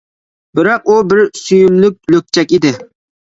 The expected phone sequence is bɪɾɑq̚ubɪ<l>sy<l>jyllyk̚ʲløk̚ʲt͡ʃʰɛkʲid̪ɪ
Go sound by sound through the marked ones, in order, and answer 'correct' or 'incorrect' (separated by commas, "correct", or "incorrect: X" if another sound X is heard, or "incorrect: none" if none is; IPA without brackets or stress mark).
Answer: incorrect: ɾ, incorrect: none